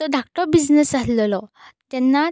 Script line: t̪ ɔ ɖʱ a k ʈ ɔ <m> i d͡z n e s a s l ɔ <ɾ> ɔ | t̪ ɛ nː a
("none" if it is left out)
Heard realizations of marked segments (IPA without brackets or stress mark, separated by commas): b, l